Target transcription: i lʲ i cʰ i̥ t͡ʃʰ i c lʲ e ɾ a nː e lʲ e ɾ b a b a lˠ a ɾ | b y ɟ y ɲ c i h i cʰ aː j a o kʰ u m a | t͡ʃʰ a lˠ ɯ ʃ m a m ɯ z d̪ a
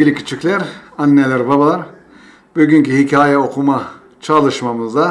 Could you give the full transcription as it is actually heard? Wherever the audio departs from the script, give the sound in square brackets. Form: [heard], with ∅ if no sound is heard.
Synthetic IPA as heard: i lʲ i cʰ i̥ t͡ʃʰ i c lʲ [æ] ɾ a nː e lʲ [æ] ɾ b a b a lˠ a ɾ | b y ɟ y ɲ c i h i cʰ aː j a o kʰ u m a | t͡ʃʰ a lˠ ɯ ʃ m a m ɯ z d̪ a